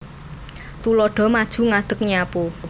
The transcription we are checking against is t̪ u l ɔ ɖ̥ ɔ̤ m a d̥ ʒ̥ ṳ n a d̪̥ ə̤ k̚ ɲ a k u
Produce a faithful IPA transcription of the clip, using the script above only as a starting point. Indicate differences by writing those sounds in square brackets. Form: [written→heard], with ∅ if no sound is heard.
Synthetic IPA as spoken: t̪ u l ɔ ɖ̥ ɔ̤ m a d̥ ʒ̥ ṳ [n→ŋ] a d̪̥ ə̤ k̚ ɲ a [k→p] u